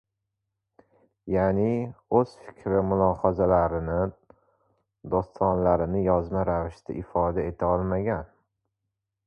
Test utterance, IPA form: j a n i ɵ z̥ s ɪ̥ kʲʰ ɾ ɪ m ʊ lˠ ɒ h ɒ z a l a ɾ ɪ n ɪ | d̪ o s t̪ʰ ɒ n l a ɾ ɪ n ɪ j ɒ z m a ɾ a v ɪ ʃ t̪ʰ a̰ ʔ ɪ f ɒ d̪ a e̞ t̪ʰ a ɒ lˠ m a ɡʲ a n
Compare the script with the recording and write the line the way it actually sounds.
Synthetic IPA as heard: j a n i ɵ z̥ f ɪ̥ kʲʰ ɾ ɪ m ʊ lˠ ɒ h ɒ z a l a ɾ ɪ n ɪ | d̪ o s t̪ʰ ɒ n l a ɾ ɪ n ɪ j ɒ z m a ɾ a v ɪ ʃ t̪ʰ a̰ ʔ ɪ f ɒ d̪ a e̞ t̪ʰ a ɒ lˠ m a ɡʲ a n